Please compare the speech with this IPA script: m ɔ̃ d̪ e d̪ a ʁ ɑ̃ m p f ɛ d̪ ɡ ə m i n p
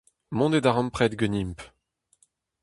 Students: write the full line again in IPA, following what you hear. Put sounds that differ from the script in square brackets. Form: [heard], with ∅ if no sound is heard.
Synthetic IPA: m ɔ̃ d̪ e d̪ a ʁ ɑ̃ m p [χ] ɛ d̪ ɡ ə [n] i [m] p